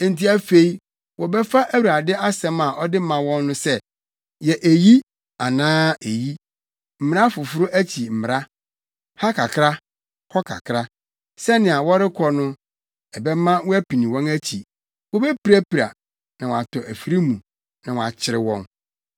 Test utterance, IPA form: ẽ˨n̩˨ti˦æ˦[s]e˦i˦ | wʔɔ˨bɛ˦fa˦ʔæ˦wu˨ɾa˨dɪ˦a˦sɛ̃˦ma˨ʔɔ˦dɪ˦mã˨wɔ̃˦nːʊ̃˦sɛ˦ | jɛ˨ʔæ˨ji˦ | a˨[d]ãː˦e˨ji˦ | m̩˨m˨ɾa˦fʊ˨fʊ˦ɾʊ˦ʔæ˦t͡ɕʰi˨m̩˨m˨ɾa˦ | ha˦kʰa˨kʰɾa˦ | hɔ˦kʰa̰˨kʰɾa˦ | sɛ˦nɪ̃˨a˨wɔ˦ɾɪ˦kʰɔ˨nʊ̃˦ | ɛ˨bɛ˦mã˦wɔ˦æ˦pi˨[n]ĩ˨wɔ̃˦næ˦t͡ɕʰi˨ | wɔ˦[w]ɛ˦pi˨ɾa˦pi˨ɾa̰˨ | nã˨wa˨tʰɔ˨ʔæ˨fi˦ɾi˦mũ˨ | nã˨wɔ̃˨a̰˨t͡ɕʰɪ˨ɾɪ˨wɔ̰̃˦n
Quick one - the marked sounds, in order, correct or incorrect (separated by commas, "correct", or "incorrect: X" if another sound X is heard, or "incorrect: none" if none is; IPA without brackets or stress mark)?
incorrect: f, incorrect: n, correct, incorrect: b